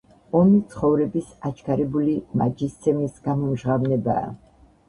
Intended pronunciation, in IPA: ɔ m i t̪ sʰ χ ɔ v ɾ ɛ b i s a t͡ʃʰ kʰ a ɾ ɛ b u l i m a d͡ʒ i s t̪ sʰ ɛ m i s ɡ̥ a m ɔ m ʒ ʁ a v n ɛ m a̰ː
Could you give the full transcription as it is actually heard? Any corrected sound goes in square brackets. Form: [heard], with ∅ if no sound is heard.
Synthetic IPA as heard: ɔ m i t̪ sʰ χ ɔ v ɾ ɛ b i s a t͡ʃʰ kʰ a ɾ ɛ b u l i m a d͡ʒ i s t̪ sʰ ɛ m i s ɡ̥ a m ɔ m ʒ ʁ a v n ɛ [b] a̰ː